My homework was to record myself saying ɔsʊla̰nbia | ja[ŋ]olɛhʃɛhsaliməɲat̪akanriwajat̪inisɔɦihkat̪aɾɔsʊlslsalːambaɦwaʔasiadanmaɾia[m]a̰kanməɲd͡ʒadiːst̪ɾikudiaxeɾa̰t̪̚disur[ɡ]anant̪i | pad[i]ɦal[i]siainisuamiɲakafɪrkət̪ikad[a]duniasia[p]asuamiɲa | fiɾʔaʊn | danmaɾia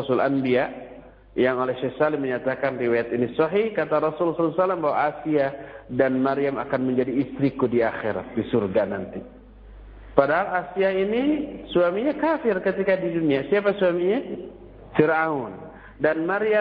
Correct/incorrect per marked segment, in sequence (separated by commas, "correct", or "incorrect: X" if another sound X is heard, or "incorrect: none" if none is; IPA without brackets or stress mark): correct, correct, correct, incorrect: a, incorrect: a, incorrect: i, correct